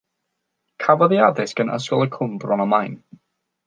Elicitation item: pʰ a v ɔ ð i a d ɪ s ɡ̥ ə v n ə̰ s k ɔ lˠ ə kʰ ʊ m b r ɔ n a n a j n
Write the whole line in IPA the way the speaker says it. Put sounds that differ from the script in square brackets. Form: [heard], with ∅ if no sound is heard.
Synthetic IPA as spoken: [kʰ] a v ɔ ð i a d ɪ s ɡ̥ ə [∅] n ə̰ s k ɔ lˠ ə kʰ ʊ m b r ɔ n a [m] a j n